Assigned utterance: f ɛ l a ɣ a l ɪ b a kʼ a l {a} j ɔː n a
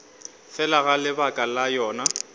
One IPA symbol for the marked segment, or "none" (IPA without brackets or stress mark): a